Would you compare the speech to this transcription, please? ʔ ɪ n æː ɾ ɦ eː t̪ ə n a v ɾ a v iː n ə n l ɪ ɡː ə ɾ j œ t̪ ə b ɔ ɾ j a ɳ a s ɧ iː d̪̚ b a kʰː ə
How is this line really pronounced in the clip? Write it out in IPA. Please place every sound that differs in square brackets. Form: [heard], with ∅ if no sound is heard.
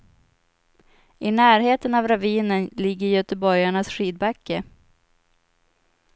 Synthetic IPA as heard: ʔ ɪ n æː ɾ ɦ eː t̪ ə n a v ɾ a v iː n ə n l ɪ ɡː ə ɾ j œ t̪ ə b ɔ ɾ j a ɳ a s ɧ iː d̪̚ b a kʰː ə